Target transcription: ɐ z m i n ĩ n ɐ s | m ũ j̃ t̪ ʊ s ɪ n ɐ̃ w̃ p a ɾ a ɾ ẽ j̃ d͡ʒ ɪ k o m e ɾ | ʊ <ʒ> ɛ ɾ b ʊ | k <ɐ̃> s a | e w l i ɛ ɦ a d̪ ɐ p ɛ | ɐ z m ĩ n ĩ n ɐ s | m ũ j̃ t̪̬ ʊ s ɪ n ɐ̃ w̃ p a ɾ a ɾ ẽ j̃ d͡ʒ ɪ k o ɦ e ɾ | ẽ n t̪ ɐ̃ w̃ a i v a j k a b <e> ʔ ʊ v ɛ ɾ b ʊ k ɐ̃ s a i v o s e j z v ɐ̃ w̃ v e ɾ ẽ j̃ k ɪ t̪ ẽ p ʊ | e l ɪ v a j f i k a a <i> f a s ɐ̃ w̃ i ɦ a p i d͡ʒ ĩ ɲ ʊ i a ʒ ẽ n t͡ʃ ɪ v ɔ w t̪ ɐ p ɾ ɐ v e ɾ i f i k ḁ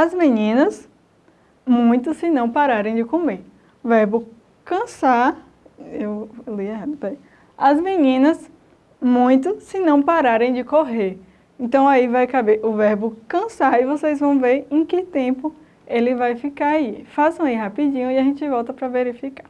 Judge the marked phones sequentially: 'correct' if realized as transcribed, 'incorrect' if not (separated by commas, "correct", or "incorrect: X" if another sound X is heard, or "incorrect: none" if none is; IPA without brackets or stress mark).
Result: incorrect: v, correct, correct, correct